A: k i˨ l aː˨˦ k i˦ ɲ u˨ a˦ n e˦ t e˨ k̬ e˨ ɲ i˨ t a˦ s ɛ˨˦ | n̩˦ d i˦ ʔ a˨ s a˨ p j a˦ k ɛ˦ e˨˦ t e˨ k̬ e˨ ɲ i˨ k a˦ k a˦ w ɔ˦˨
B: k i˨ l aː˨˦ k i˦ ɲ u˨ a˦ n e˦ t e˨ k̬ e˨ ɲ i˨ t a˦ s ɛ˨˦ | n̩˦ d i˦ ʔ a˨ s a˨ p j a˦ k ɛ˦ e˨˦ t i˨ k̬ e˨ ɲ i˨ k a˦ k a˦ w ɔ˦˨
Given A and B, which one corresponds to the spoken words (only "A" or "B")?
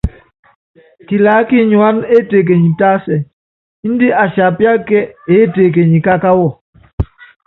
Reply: A